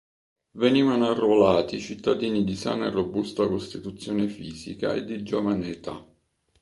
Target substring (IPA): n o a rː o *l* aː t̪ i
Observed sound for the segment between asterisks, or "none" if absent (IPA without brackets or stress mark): l